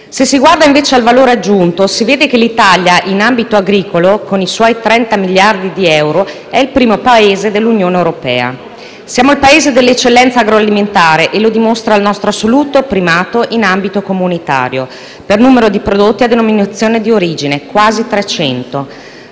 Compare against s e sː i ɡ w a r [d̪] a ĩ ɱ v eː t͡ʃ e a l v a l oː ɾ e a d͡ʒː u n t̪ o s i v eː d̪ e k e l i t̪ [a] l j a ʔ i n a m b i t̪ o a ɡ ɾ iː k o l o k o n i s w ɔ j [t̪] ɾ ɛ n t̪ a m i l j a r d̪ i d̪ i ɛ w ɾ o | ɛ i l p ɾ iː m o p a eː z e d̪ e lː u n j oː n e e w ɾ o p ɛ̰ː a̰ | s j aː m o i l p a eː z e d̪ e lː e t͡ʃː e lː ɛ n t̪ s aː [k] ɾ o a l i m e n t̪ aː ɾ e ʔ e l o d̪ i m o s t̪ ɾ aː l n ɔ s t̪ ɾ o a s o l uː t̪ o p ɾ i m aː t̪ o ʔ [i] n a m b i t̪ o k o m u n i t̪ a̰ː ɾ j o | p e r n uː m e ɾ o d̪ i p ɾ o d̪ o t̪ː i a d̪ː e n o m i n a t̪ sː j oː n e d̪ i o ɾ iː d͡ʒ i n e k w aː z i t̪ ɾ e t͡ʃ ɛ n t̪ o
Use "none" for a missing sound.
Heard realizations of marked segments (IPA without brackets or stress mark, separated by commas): d̪, a, t̪, ɡ, i